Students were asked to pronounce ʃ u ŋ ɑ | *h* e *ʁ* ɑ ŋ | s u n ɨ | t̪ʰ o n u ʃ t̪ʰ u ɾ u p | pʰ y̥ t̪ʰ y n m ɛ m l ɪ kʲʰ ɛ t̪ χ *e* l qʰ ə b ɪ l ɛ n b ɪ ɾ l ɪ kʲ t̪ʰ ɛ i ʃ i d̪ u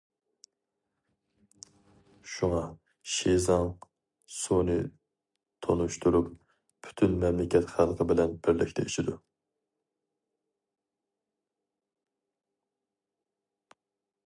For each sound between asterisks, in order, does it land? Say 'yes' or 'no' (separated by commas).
no, no, no